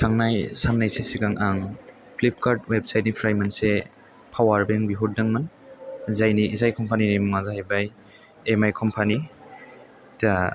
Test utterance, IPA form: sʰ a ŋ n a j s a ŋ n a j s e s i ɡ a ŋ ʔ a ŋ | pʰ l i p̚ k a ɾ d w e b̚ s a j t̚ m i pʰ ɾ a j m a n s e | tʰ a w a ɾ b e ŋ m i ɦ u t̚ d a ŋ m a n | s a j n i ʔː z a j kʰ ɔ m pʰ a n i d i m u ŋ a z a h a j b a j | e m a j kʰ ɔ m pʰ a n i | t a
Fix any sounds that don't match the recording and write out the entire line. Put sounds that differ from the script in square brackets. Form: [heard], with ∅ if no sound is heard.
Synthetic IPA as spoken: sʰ a ŋ n a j s a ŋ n a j s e s i ɡ a ŋ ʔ a ŋ | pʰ l i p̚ k a ɾ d w e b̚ s a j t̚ [n] i pʰ ɾ a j m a n s e | [pʰ] a w a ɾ b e ŋ [b] i ɦ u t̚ d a ŋ m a n | [z] a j n i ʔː z a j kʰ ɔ m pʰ a n i [n] i m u ŋ a z a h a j b a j | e m a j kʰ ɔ m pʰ a n i | t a